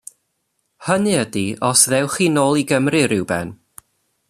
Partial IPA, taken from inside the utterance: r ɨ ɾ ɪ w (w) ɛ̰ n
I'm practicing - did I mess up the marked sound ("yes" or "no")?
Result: yes